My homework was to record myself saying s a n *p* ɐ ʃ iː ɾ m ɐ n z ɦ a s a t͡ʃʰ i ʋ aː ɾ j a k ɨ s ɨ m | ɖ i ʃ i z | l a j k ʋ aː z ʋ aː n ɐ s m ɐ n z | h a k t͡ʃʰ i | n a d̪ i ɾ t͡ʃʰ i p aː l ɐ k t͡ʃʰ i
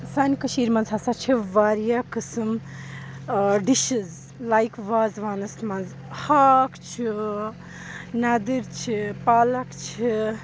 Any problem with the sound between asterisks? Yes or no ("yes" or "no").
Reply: yes